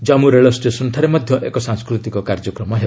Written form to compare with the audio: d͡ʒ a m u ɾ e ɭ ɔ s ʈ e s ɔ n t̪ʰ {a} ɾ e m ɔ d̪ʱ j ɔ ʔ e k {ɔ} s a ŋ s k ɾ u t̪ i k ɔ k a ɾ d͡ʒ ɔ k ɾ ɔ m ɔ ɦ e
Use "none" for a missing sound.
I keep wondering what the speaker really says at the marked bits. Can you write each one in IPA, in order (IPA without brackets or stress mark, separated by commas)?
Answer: a, ɔ